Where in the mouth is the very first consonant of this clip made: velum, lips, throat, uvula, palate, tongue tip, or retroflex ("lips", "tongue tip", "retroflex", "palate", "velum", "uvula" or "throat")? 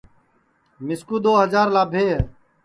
lips